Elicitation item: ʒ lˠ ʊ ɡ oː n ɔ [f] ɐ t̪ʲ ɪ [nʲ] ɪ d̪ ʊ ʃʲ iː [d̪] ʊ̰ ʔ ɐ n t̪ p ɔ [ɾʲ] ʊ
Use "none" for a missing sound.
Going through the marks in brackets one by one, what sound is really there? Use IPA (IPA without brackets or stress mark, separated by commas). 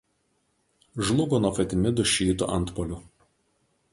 f, mʲ, t̪, lʲ